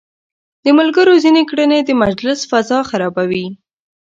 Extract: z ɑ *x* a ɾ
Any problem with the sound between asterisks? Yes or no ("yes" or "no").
no